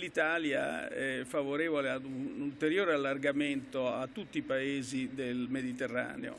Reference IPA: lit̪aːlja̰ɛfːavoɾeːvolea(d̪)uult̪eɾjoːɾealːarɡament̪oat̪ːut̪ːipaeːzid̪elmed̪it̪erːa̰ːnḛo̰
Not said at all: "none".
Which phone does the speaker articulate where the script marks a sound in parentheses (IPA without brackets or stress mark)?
d̪